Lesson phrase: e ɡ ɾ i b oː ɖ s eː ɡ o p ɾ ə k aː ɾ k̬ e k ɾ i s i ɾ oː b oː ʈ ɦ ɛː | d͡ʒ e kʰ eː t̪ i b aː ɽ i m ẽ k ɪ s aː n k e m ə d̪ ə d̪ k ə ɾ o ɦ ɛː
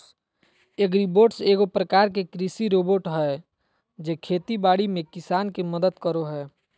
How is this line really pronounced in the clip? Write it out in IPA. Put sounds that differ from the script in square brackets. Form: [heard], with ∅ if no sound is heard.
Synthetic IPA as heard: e ɡ ɾ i b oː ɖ s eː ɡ o p ɾ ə k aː ɾ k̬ e k ɾ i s i ɾ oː b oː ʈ ɦ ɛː | d͡ʒ e kʰ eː t̪ i b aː ɽ i m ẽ k ɪ s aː n k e m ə d̪ ə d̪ k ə ɾ o ɦ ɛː